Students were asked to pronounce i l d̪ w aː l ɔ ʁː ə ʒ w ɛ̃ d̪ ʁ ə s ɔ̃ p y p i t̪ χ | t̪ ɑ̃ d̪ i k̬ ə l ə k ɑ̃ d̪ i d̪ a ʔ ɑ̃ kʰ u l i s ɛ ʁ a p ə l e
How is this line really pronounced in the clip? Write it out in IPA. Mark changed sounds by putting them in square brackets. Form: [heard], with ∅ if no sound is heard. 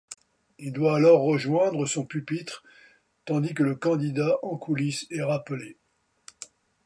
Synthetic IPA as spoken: i l d̪ w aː l ɔ ʁː ə ʒ w ɛ̃ d̪ ʁ ə s ɔ̃ p y p i t̪ χ | t̪ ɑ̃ d̪ i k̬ ə l ə k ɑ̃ d̪ i d̪ a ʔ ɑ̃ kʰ u l i s ɛ ʁ a p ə l e